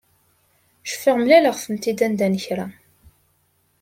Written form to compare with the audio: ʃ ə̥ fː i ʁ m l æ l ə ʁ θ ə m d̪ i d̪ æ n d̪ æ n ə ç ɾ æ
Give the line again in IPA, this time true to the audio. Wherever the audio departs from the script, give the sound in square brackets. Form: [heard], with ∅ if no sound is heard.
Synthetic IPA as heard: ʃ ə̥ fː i ʁ m l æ l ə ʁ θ ə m [t̪] i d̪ æ n d̪ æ n ə ç ɾ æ